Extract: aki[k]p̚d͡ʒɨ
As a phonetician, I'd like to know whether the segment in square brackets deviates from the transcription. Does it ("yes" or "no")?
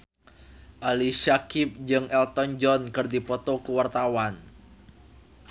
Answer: yes